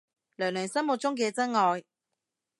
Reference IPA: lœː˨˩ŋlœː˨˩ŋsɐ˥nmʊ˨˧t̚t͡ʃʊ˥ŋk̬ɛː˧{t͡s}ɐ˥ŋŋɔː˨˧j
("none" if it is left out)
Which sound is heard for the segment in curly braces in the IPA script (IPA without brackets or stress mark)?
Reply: t͡s